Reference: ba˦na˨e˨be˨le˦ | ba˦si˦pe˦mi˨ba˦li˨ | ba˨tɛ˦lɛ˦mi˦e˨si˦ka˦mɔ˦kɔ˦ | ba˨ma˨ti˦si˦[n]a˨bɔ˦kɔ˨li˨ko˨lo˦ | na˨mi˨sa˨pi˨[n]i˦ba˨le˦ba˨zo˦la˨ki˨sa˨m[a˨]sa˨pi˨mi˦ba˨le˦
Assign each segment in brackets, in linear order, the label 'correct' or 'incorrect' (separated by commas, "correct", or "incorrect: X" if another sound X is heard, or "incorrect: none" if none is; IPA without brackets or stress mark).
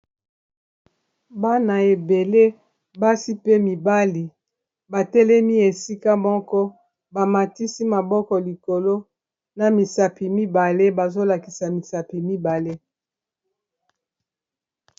incorrect: m, incorrect: m, incorrect: i˨